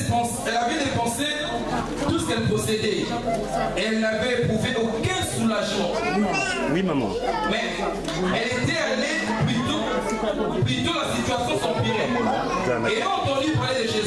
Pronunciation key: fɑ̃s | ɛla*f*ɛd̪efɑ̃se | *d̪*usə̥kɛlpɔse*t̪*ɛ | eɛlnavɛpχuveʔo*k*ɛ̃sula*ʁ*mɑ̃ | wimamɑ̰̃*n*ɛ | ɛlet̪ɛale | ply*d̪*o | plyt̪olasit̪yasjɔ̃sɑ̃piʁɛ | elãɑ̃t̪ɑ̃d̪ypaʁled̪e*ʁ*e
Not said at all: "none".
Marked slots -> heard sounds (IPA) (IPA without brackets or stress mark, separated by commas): v, t̪, d̪, k, ʒ, m, t̪, ʒ